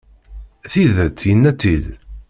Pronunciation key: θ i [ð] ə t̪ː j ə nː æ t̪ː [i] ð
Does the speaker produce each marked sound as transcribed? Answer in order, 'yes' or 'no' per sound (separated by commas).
yes, yes